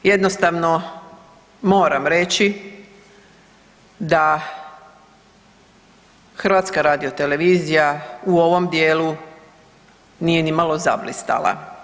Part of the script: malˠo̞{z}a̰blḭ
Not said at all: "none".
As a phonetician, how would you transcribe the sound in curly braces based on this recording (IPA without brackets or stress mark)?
z